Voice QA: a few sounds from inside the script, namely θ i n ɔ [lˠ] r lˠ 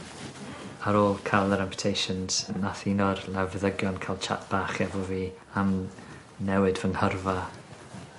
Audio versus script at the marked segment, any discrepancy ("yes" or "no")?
yes